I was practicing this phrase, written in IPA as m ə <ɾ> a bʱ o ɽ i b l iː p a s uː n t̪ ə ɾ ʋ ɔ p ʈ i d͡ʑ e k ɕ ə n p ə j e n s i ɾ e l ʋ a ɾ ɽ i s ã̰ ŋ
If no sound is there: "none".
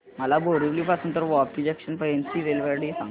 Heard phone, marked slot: l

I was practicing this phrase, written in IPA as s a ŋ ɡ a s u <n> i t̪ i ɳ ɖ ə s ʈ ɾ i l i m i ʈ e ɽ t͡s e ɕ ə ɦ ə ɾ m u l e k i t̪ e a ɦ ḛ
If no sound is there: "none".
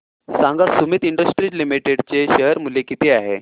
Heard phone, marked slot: m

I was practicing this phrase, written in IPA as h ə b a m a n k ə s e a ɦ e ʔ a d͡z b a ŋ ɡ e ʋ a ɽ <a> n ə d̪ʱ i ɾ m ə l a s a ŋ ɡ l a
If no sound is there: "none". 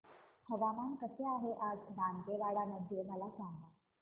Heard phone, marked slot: a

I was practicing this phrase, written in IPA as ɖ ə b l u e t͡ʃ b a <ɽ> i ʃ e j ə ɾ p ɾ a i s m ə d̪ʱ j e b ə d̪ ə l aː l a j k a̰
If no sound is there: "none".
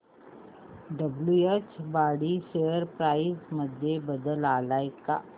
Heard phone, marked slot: ɽ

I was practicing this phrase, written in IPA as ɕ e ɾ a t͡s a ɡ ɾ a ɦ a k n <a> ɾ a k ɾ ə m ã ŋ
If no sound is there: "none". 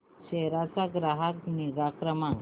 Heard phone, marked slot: i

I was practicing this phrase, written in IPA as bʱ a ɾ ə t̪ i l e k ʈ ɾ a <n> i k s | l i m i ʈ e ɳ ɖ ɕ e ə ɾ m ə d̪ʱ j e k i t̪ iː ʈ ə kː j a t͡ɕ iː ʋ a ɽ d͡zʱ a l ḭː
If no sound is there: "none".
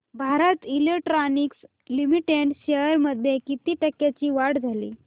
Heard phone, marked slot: n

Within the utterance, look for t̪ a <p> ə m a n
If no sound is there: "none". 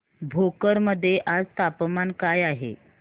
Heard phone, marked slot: p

